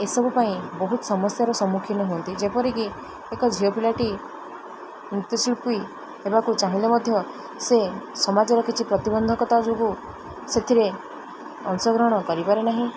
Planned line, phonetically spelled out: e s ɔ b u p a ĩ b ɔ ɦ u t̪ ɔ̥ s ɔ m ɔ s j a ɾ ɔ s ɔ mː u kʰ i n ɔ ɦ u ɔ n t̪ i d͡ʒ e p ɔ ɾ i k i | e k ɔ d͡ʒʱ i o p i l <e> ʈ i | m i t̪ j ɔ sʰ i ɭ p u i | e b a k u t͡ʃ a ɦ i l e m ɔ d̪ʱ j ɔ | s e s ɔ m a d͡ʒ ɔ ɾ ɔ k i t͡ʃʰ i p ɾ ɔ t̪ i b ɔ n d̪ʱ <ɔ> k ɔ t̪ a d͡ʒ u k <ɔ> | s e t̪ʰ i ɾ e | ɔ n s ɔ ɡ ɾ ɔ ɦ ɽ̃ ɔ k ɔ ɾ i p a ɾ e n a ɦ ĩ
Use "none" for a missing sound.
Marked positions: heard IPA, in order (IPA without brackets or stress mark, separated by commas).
a, ɔ, u